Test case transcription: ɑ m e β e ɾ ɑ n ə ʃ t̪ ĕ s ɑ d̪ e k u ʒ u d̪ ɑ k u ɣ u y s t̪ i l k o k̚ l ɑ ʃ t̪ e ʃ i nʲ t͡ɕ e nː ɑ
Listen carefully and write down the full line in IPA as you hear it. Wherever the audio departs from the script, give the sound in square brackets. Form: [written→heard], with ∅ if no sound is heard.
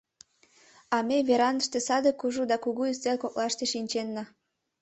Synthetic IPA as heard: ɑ m e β e ɾ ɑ n ə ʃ t̪ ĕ s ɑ d̪ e k u ʒ u d̪ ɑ k u ɣ u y s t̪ [i→e] l k o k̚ l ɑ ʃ t̪ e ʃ i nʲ t͡ɕ e nː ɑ